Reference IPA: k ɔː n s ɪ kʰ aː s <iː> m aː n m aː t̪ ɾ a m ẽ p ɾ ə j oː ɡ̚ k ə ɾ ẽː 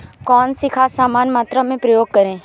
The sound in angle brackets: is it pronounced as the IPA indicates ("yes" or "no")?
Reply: no